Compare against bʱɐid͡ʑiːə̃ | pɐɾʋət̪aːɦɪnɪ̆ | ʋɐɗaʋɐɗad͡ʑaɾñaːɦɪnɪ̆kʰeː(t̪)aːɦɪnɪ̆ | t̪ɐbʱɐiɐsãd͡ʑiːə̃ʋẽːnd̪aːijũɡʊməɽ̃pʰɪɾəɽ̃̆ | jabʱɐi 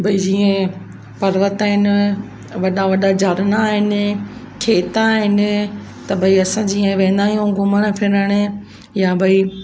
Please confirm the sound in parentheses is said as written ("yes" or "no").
yes